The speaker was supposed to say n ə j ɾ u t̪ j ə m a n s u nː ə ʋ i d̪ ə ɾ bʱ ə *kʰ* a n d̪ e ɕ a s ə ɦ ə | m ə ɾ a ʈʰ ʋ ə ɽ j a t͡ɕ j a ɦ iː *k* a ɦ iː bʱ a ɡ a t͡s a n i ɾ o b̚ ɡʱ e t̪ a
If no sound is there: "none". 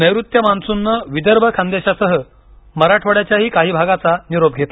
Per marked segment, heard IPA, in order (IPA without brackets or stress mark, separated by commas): kʰ, k